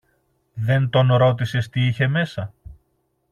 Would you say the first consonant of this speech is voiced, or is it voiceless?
voiced